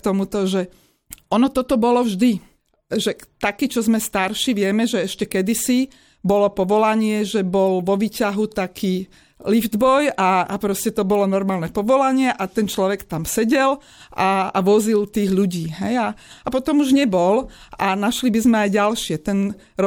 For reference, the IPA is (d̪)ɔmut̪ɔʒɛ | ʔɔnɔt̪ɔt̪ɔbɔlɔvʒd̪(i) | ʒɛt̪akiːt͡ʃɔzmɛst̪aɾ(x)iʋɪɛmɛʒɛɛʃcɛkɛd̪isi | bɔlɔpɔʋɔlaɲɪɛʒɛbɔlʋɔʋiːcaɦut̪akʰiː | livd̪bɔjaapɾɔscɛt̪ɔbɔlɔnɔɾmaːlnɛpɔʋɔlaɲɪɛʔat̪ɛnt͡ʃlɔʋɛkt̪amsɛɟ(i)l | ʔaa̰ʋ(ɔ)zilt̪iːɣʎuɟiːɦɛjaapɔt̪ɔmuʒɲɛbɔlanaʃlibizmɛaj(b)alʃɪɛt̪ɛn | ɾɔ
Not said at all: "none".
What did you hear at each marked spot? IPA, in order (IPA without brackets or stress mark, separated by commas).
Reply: t̪, i, ʃ, ɛ, ɔ, ɟ